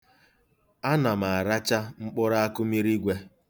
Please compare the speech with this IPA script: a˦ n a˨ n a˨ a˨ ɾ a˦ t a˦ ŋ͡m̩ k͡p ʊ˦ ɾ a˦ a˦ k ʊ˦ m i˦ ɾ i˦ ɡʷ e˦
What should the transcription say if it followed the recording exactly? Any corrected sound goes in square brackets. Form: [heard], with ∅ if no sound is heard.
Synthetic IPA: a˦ n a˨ [m] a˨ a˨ ɾ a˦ [t͡ʃ] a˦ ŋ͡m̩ k͡p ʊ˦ ɾ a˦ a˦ k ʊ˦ m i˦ ɾ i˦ ɡʷ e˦